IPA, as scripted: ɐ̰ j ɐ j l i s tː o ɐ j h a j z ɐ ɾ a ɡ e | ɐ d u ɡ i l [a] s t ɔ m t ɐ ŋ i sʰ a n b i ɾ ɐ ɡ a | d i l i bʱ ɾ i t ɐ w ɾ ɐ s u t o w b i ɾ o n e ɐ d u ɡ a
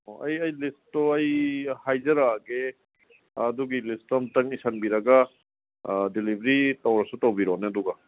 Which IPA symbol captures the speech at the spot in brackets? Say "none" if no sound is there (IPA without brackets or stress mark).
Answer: i